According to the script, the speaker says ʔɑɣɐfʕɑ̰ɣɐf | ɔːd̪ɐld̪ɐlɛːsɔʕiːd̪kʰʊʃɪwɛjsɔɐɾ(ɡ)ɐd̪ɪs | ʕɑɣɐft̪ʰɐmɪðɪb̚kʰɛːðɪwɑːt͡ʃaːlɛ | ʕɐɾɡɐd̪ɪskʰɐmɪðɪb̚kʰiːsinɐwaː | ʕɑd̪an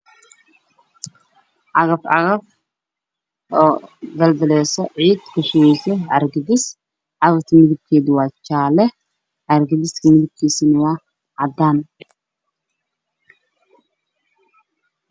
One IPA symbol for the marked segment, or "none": ɡ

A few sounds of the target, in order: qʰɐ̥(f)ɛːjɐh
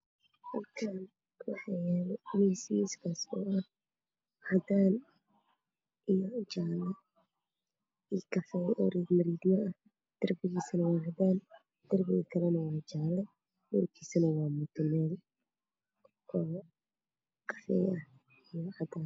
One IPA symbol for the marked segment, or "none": f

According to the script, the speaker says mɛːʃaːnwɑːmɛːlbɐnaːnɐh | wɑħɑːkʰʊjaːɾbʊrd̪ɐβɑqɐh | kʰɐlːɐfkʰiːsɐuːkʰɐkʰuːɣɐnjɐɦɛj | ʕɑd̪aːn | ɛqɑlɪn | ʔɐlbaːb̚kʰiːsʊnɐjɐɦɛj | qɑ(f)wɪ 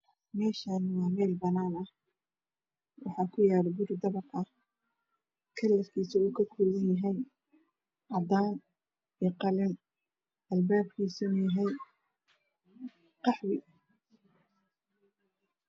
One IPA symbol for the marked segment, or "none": ħ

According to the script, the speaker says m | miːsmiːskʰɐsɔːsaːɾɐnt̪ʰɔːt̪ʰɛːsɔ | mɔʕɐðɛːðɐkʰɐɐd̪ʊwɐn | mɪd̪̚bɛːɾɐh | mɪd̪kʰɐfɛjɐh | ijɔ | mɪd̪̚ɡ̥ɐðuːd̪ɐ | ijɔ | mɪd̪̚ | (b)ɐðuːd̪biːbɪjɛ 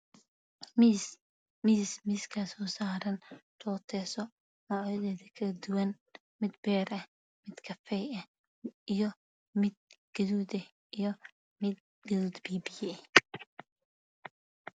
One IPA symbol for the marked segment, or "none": ɡ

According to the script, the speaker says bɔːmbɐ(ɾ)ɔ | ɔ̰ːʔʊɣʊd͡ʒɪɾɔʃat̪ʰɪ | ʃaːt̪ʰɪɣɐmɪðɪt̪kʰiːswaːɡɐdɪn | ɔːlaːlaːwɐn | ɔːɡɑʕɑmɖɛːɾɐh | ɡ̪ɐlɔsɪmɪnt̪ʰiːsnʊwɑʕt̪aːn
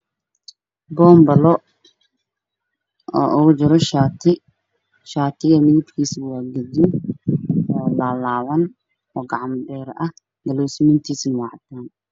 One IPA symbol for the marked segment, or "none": l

